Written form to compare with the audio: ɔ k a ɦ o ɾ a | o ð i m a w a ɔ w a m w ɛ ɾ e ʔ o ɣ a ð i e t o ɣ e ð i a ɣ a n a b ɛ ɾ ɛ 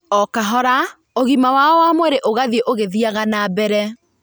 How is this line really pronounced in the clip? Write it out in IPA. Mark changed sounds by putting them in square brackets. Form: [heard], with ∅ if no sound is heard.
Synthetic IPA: ɔ k a ɦ [ɔ] ɾ a | o [ɣ] i m a w a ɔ w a m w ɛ ɾ e ʔ o ɣ a ð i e [ʔ] o ɣ e ð i a ɣ a n a b ɛ ɾ ɛ

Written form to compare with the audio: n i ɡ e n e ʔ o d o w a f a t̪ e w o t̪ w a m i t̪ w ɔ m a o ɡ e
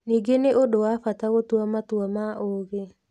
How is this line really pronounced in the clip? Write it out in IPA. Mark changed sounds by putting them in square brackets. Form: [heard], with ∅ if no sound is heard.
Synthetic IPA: n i ɡ e n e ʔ o d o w a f a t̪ [a] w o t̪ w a m [a] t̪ w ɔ m a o ɡ e

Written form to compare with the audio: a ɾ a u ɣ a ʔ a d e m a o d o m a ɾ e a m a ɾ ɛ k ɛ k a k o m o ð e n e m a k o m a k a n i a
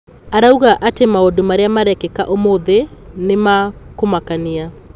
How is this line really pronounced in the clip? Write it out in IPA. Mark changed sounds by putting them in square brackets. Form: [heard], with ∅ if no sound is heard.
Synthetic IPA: a ɾ a u ɣ a ʔ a [t] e m a o d o m a ɾ e a m a ɾ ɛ k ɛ k a [ʔ] o m o ð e n e m a k o m a k a n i a

